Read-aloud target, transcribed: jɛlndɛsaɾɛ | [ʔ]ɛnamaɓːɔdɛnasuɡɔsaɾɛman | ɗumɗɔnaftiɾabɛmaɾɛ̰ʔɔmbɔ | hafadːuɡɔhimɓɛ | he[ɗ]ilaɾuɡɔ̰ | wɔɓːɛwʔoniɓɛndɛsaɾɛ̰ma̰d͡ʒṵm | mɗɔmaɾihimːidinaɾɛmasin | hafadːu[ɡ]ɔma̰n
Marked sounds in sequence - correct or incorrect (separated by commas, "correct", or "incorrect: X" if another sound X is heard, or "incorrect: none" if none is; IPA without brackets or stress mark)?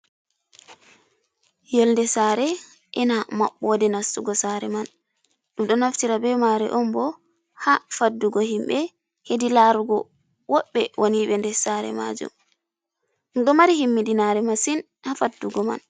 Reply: correct, incorrect: d, correct